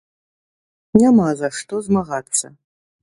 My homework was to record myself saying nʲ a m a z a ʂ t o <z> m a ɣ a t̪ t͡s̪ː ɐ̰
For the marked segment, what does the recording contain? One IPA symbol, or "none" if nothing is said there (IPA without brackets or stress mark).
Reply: z